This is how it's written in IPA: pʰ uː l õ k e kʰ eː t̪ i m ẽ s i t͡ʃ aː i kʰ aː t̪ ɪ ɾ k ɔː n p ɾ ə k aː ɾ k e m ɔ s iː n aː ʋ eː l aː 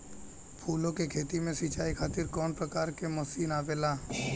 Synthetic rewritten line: pʰ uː l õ k e kʰ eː t̪ i m ẽ s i t͡ʃ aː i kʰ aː t̪ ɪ ɾ k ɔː n p ɾ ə k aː ɾ k e m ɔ s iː n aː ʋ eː l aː